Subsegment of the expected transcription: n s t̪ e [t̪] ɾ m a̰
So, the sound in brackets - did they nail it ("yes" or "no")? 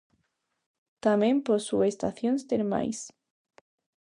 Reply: no